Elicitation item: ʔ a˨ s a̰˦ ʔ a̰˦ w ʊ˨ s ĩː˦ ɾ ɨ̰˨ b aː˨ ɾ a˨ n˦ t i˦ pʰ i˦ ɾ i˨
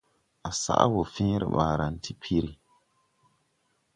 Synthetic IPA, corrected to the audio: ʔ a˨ s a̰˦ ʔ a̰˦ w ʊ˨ f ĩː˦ ɾ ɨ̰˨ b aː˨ ɾ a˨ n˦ t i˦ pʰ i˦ ɾ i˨